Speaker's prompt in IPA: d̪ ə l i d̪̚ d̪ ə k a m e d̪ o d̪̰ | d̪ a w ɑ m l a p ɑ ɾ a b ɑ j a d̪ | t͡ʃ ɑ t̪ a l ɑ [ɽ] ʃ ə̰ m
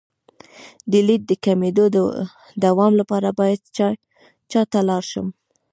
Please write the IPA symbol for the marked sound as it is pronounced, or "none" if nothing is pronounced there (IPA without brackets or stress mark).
ɾ